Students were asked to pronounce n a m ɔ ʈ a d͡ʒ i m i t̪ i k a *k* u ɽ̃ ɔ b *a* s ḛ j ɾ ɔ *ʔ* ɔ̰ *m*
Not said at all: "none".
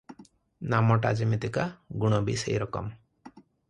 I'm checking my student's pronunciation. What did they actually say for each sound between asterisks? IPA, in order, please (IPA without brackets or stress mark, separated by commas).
ɡ, i, k, m